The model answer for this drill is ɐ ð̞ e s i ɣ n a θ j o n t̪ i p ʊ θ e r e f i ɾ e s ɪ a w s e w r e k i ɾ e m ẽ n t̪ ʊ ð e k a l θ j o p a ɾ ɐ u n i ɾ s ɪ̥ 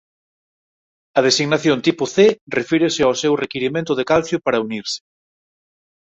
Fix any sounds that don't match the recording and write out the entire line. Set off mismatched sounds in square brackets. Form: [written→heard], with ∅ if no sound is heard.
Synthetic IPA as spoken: ɐ ð̞ e s i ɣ n a θ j o n t̪ i p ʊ θ e r e f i ɾ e s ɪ a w s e w r e k i ɾ [e→i] m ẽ n t̪ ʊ ð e k a l θ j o p a ɾ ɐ u n i ɾ s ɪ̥